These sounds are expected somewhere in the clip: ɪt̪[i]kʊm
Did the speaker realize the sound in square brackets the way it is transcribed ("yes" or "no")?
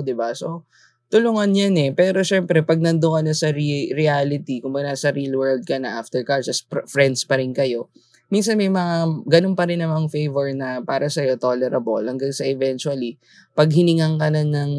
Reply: yes